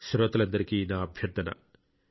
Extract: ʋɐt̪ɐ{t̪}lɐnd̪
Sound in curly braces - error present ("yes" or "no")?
yes